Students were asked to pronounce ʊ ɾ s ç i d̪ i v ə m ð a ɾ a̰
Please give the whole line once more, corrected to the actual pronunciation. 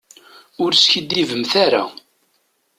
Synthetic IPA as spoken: ʊ ɾ s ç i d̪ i v ə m θ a ɾ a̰